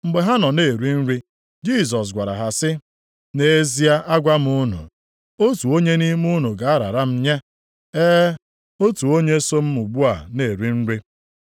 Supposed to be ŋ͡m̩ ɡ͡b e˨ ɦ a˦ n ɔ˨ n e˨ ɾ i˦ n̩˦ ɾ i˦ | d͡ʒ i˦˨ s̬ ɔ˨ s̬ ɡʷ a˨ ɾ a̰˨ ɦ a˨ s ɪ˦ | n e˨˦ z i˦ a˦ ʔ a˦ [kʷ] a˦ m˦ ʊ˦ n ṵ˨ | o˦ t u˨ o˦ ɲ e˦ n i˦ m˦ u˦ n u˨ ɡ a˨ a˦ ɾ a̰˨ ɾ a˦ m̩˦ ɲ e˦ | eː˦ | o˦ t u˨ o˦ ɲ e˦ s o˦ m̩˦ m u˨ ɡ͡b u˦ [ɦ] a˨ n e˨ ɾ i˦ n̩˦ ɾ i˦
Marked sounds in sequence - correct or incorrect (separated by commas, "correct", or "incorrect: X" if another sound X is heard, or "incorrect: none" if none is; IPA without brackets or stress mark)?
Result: incorrect: ɡʷ, incorrect: none